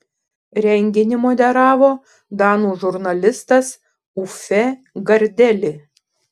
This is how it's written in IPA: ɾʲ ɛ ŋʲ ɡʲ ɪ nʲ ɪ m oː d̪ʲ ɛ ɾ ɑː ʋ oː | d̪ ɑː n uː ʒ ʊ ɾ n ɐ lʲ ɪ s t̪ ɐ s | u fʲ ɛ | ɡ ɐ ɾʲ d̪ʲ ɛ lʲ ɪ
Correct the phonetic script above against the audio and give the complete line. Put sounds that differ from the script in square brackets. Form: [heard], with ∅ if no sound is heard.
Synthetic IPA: ɾʲ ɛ ŋʲ ɡʲ ɪ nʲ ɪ m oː d̪ʲ ɛ ɾ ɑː ʋ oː | d̪ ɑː n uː ʒ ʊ ɾ n ɐ lʲ ɪ s t̪ ɐ s | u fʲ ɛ | ɡ ɐ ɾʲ d̪ʲ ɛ lʲ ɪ